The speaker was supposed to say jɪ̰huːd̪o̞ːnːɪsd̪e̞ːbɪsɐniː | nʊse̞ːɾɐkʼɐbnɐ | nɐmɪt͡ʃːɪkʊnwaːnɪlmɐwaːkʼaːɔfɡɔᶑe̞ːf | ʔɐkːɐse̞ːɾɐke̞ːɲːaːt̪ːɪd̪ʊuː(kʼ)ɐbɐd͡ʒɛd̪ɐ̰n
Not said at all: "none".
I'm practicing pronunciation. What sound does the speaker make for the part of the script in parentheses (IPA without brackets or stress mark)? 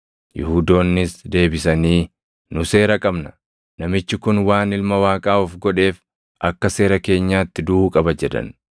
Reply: kʼ